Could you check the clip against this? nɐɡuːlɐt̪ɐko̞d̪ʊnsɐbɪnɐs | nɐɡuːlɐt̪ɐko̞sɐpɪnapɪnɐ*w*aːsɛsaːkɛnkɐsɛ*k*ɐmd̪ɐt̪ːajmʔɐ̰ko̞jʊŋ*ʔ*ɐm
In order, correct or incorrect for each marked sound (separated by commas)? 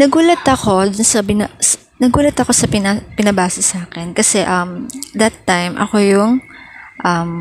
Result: incorrect, incorrect, correct